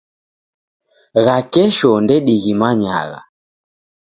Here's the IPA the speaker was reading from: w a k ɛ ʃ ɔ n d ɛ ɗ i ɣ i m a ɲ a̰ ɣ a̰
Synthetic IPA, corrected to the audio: ɣ a k ɛ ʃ ɔ n d ɛ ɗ i ɣ i m a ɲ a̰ ɣ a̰